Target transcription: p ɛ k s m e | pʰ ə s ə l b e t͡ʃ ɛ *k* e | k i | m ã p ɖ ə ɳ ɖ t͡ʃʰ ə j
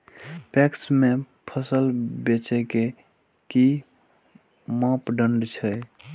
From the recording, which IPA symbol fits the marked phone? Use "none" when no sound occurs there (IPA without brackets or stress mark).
k